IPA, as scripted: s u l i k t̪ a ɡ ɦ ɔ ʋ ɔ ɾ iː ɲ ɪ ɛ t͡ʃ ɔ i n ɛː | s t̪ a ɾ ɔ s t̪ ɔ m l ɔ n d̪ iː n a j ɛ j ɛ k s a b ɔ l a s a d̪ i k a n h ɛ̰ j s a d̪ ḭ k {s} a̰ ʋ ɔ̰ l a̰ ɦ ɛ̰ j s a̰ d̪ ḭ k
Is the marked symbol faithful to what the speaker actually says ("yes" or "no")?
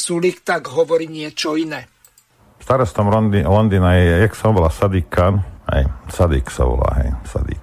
yes